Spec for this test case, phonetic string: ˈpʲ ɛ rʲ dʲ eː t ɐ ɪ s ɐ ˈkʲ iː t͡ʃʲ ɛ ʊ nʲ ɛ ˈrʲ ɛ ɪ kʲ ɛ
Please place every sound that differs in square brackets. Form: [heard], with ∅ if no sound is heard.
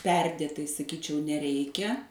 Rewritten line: ˈpʲ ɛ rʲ dʲ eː t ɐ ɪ s ɐ ˈkʲ iː t͡ʃʲ ɛ ʊ nʲ ɛ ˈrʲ ɛ ɪ kʲ ɛ